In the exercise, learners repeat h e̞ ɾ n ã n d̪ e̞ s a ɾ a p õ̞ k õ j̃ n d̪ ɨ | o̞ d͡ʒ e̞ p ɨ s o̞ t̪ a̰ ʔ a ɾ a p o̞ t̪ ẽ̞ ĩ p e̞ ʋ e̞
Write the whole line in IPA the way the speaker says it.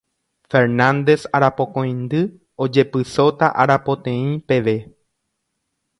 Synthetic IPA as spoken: f e̞ ɾ n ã n d̪ e̞ s a ɾ a p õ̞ k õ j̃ n d̪ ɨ | o̞ d͡ʒ e̞ p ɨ s o̞ t̪ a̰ ʔ a ɾ a p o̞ t̪ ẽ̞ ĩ p e̞ ʋ e̞